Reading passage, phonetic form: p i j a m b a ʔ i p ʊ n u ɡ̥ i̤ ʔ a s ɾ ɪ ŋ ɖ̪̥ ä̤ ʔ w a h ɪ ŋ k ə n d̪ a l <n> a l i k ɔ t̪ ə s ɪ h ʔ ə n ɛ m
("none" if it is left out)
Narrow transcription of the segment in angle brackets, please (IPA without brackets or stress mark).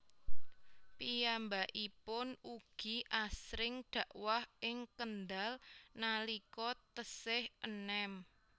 n